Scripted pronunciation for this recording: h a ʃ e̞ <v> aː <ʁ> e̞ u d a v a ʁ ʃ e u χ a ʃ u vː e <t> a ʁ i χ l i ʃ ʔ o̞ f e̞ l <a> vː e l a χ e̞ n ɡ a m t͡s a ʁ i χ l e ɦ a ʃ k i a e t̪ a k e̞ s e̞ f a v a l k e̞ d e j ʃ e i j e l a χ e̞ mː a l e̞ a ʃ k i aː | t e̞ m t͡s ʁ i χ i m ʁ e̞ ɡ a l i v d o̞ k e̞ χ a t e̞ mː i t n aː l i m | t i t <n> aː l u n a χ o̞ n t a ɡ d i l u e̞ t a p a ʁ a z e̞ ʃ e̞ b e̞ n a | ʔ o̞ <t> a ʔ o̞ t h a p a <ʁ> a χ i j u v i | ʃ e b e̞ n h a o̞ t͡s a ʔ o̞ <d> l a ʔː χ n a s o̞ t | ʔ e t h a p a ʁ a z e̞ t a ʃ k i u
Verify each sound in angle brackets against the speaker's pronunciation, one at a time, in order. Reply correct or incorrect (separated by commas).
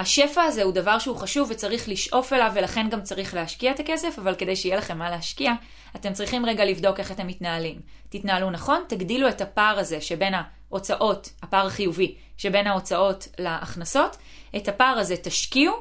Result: incorrect, incorrect, incorrect, correct, correct, incorrect, correct, incorrect